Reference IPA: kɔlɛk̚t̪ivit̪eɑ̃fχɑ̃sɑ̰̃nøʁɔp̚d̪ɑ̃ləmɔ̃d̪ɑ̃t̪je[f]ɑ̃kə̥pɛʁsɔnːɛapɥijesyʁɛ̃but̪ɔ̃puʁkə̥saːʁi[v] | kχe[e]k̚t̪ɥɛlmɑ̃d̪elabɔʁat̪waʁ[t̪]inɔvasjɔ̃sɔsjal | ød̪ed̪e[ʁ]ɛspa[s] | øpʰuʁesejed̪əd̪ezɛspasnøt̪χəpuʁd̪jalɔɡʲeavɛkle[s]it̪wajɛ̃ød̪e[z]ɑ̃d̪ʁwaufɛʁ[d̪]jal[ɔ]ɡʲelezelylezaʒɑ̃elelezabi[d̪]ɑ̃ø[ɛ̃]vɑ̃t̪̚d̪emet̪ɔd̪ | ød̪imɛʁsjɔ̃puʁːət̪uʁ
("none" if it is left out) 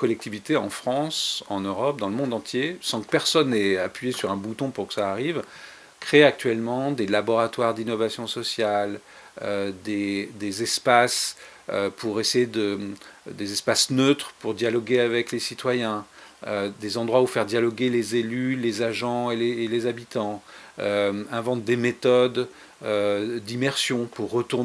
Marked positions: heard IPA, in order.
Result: s, v, a, d̪, z, s, s, z, d̪, ɔ, t̪, ɛ̃

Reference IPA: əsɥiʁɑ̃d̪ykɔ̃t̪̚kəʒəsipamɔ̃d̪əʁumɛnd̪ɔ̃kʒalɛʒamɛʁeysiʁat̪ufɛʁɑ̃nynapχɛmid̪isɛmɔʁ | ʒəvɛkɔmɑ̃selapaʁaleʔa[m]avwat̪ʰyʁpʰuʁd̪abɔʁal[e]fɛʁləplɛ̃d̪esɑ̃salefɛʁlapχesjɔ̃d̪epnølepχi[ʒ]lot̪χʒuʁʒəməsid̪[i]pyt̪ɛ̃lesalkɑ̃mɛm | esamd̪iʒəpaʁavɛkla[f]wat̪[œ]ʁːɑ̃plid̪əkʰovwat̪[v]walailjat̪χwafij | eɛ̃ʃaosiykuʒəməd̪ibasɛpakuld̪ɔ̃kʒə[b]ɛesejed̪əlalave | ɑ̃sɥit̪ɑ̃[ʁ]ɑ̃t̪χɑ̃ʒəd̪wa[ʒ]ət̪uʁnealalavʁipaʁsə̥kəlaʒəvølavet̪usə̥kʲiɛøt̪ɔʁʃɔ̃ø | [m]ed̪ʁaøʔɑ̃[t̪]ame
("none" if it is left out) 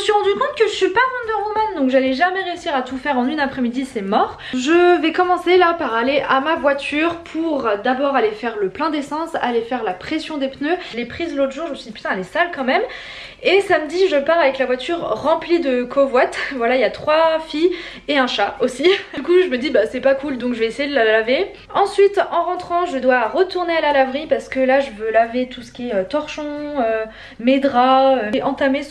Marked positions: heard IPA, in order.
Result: m, e, z, i, v, y, v, v, ʁ, ʁ, m, t̪

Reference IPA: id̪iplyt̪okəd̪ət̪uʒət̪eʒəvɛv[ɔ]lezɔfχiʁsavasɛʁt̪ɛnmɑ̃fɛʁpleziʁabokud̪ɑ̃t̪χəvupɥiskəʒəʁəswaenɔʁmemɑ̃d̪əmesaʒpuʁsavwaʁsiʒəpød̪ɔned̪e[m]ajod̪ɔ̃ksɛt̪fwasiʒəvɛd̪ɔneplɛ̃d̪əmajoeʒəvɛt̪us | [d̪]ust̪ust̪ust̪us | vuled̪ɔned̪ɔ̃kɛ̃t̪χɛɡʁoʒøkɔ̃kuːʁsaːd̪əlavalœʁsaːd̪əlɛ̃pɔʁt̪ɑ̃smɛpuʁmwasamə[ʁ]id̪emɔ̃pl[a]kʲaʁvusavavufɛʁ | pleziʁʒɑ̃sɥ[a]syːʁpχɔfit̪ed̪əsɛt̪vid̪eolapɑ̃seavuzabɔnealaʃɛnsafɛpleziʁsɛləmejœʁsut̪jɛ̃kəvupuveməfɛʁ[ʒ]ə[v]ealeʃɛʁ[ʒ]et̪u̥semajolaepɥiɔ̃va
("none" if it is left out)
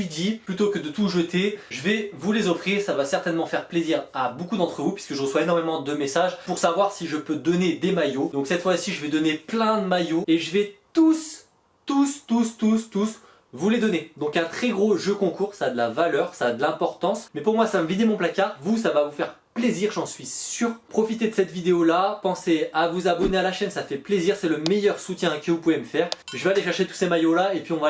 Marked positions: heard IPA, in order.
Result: u, m, t̪, v, a, i, ʒ, v, ʃ

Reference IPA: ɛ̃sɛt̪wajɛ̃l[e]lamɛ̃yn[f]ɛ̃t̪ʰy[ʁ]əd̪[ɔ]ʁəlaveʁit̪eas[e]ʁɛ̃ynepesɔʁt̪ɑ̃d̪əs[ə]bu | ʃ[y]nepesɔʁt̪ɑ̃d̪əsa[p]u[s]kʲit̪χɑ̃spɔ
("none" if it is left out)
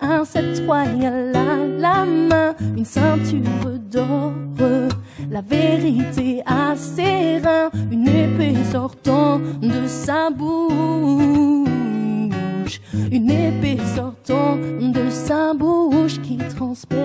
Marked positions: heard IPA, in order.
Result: a, s, ʁ, ɔ, e, a, y, b, ʃ

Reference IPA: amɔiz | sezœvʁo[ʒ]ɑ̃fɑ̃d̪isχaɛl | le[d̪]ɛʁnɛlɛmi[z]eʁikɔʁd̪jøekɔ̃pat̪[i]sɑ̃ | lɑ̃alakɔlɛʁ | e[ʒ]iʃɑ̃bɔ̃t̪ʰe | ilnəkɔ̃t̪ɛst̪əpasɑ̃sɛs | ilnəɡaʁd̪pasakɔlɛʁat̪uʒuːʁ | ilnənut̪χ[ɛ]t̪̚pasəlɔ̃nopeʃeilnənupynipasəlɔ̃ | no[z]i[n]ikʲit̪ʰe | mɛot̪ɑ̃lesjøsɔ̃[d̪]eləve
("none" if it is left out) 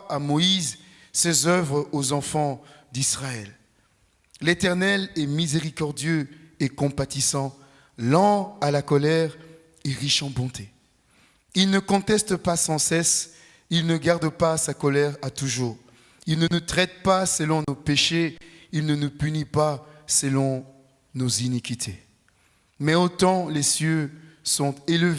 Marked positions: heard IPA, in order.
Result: z, t̪, z, i, ʁ, ɛ, z, n, t̪

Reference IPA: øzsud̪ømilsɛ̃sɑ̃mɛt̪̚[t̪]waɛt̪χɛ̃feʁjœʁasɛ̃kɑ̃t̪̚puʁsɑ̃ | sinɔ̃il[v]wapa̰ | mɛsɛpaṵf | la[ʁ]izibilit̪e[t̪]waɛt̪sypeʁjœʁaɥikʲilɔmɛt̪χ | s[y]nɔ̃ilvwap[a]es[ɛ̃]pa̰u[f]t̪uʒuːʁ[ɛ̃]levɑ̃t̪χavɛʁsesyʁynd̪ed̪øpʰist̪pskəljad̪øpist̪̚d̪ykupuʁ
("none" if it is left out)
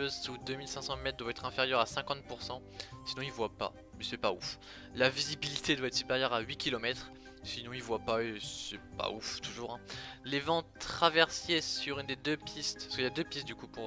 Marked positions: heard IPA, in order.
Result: d̪, v, v, d̪, i, a, ɛ, f, ɛ̃

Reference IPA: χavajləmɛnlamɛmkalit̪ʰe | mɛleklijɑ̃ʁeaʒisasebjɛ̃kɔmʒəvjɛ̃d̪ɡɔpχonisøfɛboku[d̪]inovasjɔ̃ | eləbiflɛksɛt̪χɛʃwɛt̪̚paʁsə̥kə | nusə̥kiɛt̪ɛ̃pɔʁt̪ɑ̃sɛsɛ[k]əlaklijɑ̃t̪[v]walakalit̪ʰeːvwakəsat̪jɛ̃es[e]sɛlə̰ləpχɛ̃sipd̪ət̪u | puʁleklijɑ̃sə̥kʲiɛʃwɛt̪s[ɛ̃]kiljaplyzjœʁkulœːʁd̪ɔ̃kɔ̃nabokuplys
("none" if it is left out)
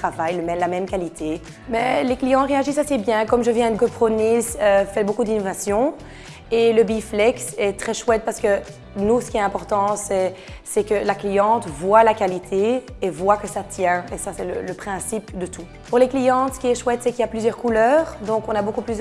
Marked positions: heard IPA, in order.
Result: d̪, k, v, a, ɛ

